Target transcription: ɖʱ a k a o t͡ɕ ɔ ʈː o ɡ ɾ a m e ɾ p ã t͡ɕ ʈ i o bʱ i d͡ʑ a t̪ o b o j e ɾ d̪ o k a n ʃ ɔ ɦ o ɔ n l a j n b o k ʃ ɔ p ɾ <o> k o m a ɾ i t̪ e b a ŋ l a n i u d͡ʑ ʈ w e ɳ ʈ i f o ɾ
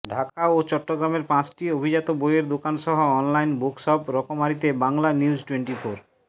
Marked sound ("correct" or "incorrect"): incorrect